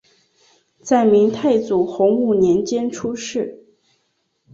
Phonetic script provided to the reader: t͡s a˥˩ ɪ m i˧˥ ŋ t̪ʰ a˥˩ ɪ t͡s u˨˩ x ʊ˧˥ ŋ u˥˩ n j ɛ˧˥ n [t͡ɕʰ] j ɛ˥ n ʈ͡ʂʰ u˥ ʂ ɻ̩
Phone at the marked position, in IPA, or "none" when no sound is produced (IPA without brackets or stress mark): t͡ɕ